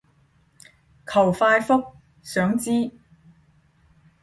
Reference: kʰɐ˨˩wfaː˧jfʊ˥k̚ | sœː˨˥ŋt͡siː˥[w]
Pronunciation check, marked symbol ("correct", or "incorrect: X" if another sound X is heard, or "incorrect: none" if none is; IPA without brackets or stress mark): incorrect: none